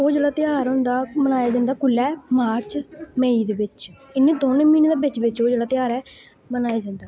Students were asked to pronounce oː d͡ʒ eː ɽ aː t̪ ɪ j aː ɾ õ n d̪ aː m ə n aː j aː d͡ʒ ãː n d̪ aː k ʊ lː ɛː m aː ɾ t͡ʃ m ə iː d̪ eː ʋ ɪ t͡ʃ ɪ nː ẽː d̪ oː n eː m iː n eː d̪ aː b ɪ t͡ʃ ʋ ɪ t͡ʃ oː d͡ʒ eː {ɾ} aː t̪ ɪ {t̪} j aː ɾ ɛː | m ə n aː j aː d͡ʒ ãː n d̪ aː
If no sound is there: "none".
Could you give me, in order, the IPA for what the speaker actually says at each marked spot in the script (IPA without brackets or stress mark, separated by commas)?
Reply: ɽ, none